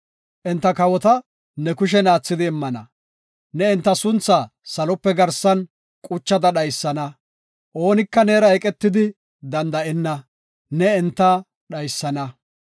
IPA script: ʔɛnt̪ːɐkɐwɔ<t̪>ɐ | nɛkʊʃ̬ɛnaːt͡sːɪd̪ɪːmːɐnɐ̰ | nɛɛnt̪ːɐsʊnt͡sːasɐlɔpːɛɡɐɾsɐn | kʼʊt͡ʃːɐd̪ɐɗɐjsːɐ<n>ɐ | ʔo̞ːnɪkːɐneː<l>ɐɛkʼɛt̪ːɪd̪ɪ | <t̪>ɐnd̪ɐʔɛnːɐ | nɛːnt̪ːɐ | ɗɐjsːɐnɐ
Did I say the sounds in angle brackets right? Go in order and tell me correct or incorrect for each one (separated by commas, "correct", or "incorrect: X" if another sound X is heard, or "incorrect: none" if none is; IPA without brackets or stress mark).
correct, correct, incorrect: ɾ, incorrect: d̪